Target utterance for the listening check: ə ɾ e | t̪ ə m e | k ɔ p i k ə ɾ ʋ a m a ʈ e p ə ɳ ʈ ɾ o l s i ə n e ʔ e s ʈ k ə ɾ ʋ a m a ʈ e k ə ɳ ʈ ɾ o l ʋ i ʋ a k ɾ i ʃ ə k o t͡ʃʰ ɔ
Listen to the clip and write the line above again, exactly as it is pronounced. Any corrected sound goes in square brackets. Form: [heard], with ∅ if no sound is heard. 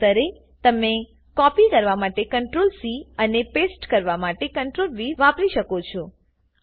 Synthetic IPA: ə ɾ e | t̪ ə m e | k ɔ p i k ə ɾ ʋ a m a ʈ e [k] ə ɳ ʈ ɾ o l s i ə n e [p] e s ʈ k ə ɾ ʋ a m a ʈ e k ə ɳ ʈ ɾ o l ʋ i ʋ a [p] ɾ i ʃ ə k o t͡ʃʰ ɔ